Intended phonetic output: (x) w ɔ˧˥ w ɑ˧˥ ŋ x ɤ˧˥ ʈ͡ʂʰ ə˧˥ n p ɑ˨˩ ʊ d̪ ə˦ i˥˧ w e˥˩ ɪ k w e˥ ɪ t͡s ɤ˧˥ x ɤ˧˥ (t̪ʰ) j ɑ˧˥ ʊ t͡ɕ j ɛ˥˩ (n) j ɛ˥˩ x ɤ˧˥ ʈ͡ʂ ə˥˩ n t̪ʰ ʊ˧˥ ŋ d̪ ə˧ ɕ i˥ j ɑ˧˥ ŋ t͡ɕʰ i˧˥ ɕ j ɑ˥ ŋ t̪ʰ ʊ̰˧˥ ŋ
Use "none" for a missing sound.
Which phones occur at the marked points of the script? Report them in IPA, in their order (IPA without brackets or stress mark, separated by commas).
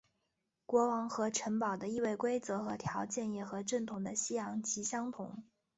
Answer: k, t̪ʰ, n